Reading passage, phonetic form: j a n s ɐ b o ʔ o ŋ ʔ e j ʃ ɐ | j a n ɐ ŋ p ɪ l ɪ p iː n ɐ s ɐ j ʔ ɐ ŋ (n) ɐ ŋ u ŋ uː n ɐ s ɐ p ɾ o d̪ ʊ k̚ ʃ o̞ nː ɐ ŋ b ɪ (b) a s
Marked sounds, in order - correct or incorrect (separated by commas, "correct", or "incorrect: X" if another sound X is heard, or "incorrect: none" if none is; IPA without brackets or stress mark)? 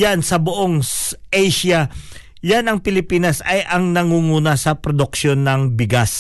correct, incorrect: ɡ